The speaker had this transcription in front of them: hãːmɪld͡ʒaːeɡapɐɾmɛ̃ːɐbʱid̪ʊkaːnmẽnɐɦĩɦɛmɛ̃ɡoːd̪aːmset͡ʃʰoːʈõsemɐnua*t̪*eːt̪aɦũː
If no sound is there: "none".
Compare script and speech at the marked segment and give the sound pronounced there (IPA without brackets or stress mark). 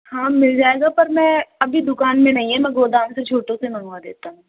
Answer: d̪